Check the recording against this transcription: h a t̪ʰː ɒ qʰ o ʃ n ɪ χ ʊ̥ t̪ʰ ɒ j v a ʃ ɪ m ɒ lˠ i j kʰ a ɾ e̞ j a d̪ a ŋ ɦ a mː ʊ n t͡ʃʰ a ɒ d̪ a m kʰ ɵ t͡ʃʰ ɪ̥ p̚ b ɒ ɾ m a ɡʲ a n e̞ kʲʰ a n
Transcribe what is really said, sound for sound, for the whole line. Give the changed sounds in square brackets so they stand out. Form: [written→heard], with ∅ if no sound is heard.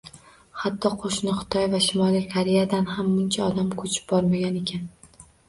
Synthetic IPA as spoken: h a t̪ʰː ɒ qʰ o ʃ n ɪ χ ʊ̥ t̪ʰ ɒ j v a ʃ ɪ m ɒ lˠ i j kʰ a ɾ e̞ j a d̪ a [ŋ→n] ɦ a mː ʊ n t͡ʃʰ a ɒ d̪ a m kʰ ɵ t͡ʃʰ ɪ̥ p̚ b ɒ ɾ m a ɡʲ a n e̞ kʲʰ a n